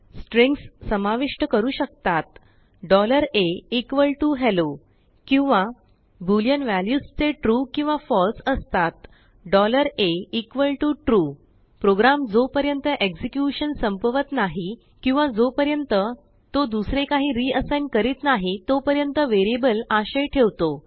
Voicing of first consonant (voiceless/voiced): voiceless